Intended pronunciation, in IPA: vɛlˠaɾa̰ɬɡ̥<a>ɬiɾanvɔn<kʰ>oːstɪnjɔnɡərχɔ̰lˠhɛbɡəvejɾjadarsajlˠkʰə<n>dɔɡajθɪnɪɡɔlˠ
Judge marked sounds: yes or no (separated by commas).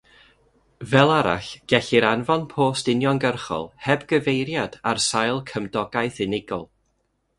no, no, no